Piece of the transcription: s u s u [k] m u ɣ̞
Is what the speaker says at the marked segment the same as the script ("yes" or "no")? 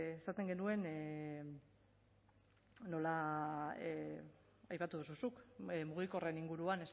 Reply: yes